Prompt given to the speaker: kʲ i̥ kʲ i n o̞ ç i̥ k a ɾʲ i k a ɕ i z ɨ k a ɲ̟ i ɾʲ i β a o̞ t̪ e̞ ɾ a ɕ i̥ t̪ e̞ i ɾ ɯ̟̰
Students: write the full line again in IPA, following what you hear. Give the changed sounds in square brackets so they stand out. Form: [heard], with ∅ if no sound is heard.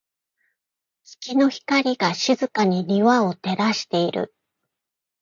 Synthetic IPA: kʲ i̥ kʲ i n o̞ ç i̥ k a ɾʲ i [ɡ] a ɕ i z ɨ k a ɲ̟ i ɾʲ i β a o̞ t̪ e̞ ɾ a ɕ i̥ t̪ e̞ i ɾ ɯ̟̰